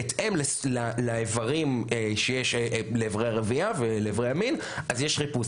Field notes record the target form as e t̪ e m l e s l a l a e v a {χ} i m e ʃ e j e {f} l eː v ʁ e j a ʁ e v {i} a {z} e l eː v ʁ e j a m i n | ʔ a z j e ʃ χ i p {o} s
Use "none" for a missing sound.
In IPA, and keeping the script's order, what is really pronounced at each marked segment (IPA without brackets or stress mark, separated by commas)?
ʁ, ʃ, i, v, u